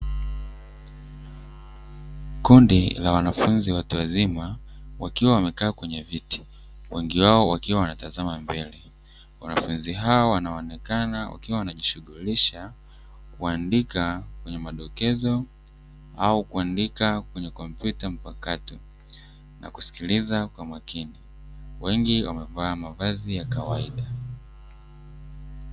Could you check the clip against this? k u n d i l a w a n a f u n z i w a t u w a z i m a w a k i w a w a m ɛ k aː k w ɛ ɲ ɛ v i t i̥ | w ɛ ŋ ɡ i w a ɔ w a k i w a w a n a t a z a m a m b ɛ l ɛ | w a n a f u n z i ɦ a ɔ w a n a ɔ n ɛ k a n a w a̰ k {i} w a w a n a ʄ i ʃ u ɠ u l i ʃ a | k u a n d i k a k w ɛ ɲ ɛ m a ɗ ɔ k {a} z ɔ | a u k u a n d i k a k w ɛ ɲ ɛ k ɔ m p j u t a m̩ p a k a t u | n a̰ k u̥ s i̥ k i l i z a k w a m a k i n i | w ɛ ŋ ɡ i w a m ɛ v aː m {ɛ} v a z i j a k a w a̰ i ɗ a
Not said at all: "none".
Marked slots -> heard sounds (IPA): i, ɛ, a

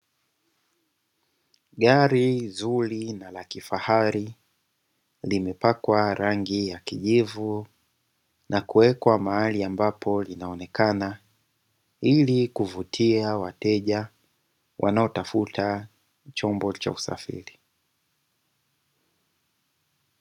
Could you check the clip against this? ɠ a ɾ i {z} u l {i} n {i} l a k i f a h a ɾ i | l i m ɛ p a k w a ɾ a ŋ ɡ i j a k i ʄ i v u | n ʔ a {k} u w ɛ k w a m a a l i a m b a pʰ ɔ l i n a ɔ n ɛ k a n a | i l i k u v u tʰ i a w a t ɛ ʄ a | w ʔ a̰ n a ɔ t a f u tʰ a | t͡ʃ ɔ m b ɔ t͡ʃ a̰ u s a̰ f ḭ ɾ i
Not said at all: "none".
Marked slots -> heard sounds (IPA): z, i, a, k

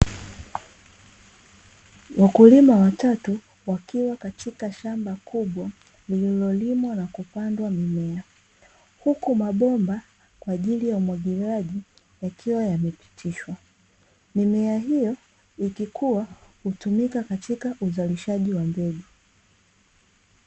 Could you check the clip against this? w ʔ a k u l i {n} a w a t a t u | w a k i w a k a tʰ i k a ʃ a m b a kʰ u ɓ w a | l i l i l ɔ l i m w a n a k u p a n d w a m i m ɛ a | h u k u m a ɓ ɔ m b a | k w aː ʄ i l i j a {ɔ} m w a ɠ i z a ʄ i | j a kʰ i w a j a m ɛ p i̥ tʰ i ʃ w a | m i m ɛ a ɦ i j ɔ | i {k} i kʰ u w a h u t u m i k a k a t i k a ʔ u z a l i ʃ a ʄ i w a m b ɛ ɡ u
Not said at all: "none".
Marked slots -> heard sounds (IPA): m, u, k

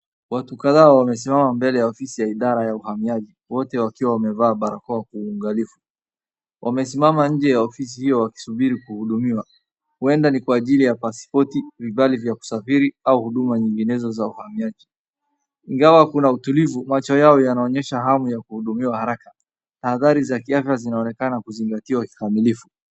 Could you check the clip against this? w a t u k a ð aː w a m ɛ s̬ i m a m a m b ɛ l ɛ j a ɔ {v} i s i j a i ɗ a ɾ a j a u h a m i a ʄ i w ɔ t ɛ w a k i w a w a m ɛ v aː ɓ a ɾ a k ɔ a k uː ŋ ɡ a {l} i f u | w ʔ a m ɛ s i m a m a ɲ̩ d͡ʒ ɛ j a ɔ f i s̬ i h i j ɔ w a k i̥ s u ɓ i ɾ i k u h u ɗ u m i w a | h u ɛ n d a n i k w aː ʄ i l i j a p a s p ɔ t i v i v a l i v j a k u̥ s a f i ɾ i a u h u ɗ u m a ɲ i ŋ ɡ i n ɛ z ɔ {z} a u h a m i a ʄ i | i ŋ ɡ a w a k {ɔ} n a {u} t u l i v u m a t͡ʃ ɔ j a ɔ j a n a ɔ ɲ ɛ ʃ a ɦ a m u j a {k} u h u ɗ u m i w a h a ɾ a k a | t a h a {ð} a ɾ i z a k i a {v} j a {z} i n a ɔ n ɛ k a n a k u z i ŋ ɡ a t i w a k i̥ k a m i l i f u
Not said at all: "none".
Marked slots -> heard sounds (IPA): f, l, z, u, u, k, ð, f, z

